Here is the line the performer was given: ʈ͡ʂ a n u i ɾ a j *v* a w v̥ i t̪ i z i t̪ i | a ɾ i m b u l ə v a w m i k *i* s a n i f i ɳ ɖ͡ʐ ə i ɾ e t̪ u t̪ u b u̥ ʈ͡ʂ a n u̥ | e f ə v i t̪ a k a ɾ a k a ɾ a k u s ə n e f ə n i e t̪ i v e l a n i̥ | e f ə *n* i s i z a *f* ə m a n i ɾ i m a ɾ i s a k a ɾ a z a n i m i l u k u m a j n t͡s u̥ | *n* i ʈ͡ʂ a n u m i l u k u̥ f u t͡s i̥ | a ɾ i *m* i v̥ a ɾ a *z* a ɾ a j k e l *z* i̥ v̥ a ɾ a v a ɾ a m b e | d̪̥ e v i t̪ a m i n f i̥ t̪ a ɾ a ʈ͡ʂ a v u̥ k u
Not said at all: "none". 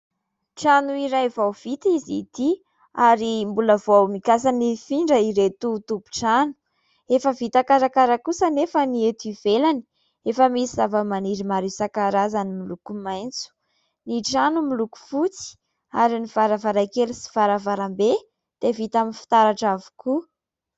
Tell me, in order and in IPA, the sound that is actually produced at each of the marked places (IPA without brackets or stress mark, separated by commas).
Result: v, a, m, v, n, n, v, s